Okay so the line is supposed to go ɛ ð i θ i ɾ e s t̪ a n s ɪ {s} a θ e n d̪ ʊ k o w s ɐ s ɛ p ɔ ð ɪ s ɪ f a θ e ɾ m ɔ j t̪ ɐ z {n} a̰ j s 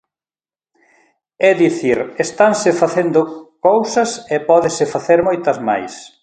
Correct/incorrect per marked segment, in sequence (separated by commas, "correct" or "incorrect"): incorrect, incorrect